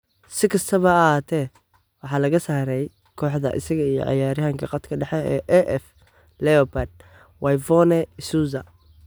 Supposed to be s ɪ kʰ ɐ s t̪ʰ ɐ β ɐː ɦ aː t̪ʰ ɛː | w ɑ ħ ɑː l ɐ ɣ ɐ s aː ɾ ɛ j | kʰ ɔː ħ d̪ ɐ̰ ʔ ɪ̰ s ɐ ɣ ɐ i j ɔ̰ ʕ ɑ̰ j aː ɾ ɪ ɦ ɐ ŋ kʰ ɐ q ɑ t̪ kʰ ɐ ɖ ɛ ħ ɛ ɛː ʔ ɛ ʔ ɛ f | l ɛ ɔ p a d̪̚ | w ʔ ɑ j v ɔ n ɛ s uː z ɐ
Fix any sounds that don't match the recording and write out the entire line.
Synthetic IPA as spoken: s ɪ kʰ ɐ s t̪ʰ ɐ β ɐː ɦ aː t̪ʰ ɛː | w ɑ ħ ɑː l ɐ ɣ ɐ s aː ɾ ɛ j | kʰ ɔː ħ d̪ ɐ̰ ʔ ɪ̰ s ɐ ɣ ɐ i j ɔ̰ ʕ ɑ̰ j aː ɾ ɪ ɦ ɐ ŋ kʰ ɐ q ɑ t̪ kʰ ɐ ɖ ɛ ħ ɛ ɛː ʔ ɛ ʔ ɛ f | l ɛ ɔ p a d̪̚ | w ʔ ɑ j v ɔ n ɛ s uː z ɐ

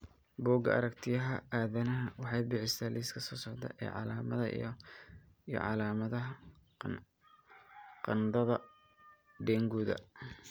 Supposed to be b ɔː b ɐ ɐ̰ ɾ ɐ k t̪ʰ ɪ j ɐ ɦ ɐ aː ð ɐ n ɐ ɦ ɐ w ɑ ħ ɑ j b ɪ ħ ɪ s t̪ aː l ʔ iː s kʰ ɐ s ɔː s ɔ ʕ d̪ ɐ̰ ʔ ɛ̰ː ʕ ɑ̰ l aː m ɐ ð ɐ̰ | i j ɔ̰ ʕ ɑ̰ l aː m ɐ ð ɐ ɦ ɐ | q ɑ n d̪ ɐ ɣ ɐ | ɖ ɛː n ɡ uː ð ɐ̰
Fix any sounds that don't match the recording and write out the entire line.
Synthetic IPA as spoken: b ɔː ɡ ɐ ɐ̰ ɾ ɐ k t̪ʰ ɪ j ɐ ɦ ɐ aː ð ɐ n ɐ ɦ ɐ w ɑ ħ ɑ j b ɪ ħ ɪ s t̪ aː l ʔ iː s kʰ ɐ s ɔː s ɔ ʕ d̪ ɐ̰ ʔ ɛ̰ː ʕ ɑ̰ l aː m ɐ ð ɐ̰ | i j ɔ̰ ʕ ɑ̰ l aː m ɐ ð ɐ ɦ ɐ | q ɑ n d̪ ɐ ð ɐ | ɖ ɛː ŋ ɡ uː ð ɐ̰

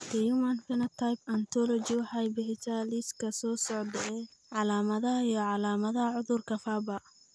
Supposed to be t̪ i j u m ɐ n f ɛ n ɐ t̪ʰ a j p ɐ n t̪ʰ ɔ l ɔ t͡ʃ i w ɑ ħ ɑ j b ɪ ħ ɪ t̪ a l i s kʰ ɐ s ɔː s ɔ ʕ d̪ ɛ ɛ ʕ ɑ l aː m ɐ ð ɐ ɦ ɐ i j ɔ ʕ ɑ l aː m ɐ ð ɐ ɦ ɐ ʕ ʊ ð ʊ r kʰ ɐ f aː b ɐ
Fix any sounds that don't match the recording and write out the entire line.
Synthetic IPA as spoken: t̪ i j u m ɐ n f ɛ n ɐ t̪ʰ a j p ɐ n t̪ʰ ɔ l ɔ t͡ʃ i w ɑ ħ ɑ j b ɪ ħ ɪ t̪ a l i s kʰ ɐ s ɔː s ɔ ʕ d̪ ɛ ɛ ʕ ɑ l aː m ɐ ð ɐ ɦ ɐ i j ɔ ʕ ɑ l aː m ɐ ð ɐ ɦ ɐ ʕ ʊ ð ʊ r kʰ ɐ f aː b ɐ

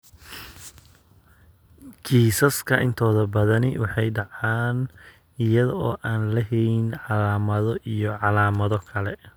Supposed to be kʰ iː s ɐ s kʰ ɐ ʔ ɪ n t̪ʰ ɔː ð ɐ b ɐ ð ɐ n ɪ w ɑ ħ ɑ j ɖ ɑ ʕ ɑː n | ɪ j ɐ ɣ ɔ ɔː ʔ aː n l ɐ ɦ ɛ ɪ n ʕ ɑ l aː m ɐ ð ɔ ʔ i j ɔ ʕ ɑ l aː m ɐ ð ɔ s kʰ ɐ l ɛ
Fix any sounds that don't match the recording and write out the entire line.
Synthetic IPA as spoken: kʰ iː s ɐ s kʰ ɐ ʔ ɪ n t̪ʰ ɔː ð ɐ b ɐ ð ɐ n ɪ w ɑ ħ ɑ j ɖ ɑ ʕ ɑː n | ɪ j ɐ ð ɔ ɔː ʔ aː n l ɐ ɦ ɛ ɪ n ʕ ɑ l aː m ɐ ð ɔ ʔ i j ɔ ʕ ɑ l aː m ɐ ð ɔ kʰ ɐ l ɛ

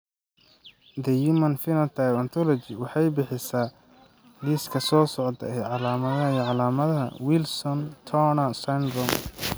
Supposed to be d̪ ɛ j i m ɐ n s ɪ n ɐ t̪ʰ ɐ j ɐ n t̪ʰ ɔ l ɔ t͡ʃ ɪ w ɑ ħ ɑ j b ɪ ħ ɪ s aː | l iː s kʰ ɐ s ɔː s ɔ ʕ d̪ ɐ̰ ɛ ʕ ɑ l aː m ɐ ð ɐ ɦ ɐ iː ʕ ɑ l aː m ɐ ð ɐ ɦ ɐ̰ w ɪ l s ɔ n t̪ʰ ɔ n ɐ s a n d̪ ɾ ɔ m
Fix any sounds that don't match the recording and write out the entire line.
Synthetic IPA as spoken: d̪ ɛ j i m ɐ n f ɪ n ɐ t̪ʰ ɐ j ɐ n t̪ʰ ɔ l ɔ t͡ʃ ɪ w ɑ ħ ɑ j b ɪ ħ ɪ s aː | l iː s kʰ ɐ s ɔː s ɔ ʕ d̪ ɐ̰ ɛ ʕ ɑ l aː m ɐ ð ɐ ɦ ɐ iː ʕ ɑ l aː m ɐ ð ɐ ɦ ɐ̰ w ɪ l s ɔ n t̪ʰ ɔ n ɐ s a n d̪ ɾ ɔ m

